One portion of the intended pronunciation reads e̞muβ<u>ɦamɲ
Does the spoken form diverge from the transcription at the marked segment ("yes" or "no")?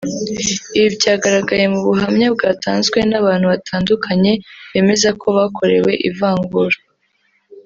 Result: no